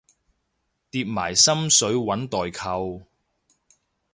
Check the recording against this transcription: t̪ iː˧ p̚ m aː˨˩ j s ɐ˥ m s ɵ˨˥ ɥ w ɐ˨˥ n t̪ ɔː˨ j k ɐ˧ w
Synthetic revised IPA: t̪ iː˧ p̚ m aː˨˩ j s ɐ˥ m s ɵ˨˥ ɥ w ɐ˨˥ n t̪ ɔː˨ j kʰ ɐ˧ w